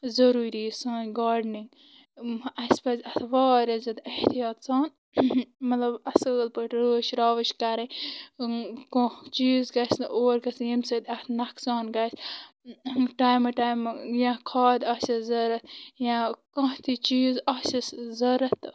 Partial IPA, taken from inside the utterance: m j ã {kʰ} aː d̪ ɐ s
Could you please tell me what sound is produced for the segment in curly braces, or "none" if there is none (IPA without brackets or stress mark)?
kʰ